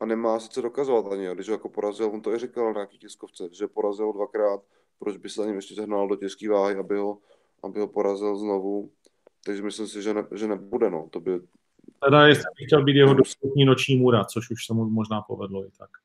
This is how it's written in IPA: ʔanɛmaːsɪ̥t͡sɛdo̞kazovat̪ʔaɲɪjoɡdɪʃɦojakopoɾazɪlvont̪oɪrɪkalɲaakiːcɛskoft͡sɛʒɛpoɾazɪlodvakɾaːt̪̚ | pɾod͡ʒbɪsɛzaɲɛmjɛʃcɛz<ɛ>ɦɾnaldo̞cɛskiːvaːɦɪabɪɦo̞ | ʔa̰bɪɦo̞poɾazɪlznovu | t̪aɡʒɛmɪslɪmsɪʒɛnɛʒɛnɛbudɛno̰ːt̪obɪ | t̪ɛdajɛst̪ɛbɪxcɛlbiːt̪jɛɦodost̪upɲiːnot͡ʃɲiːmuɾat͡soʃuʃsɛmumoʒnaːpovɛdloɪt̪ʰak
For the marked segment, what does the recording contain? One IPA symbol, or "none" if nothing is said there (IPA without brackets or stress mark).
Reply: ɛ